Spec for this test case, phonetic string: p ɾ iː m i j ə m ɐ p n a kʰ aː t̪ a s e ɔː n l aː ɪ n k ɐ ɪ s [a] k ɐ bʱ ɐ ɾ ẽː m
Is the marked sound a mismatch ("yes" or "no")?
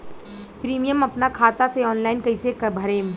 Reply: yes